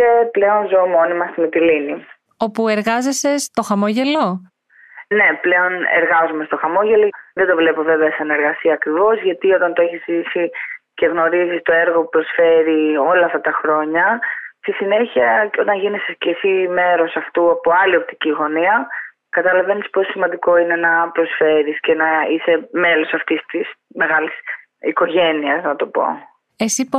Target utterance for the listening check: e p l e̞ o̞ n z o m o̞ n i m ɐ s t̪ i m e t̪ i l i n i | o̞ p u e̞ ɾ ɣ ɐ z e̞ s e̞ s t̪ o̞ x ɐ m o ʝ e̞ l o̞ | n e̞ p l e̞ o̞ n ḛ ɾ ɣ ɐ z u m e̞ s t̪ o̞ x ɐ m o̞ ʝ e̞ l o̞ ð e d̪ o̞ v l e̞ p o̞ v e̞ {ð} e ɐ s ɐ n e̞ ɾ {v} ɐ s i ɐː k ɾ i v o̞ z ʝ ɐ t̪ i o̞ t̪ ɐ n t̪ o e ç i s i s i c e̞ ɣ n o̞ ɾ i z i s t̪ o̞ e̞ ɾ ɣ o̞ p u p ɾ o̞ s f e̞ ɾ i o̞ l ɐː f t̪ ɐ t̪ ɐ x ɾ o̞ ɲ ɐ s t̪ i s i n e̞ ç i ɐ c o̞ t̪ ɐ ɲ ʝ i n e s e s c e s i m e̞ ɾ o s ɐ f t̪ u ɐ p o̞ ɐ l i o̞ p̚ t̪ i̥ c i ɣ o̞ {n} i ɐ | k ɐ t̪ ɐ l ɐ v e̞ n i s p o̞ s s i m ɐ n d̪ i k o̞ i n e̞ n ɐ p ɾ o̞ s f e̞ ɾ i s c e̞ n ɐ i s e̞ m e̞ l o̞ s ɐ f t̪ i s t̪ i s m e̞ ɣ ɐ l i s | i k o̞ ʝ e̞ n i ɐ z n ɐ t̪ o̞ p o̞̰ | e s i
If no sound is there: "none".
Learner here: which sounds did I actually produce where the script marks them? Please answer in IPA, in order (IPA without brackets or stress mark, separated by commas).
v, ɣ, n